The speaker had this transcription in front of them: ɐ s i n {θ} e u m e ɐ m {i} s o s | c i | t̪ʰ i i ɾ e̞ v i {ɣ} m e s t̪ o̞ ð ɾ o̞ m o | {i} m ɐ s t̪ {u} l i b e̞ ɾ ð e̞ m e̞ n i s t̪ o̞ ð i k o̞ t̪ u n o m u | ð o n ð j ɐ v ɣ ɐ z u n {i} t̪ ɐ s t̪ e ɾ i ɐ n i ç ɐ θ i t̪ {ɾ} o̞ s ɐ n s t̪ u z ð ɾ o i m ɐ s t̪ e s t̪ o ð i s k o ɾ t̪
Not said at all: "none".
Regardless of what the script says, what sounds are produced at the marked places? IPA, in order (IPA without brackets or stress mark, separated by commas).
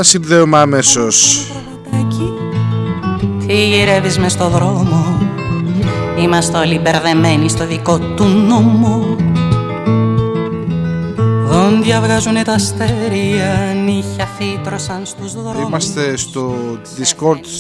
ð, e, z, i, o, e, ɾ